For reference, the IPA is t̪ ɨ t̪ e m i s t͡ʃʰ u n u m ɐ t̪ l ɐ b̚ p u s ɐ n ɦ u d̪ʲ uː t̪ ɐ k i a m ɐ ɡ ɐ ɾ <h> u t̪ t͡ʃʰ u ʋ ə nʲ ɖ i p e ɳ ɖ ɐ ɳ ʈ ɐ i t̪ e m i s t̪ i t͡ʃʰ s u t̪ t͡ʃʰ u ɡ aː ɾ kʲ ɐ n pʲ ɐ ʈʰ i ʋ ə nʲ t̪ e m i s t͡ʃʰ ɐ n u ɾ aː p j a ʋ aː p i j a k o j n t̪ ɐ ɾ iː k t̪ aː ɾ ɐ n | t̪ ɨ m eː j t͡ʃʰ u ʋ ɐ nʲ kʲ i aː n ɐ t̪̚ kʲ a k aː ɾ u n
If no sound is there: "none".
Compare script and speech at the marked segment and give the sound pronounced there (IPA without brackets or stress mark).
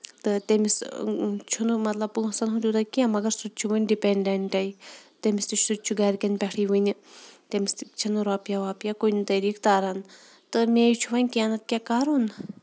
s